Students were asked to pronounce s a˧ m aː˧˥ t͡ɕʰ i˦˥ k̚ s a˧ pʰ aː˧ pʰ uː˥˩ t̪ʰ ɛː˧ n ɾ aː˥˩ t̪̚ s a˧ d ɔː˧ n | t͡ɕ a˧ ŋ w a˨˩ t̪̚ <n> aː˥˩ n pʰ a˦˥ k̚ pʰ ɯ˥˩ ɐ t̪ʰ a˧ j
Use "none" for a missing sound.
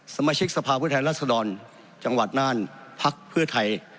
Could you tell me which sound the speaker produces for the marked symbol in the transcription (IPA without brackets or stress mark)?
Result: n